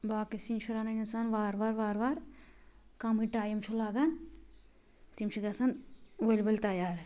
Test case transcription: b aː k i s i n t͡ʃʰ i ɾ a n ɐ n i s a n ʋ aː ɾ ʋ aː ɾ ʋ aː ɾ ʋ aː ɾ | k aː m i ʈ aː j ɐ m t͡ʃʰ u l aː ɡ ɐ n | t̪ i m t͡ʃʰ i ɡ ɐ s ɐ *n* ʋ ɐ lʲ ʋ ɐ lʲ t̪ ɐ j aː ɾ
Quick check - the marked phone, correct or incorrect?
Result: correct